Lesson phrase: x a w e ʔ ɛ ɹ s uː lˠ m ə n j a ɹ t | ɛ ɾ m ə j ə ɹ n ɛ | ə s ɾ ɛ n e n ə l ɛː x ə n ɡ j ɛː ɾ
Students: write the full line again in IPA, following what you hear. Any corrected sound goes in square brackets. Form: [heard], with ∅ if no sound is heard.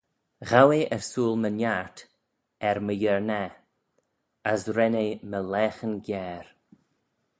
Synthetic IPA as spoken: [ɣ] a w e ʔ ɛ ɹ s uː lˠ m ə n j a ɹ t | ɛ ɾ m ə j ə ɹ n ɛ | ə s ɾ ɛ n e [m] ə l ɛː x ə n ɡ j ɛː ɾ